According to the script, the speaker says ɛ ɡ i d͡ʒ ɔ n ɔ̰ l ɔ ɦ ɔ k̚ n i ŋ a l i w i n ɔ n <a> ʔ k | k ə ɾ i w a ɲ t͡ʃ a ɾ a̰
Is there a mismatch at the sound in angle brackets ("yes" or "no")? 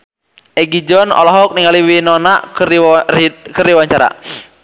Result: no